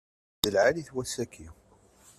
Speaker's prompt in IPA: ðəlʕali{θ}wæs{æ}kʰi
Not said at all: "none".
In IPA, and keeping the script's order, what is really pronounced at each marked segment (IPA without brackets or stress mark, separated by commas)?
θ, æ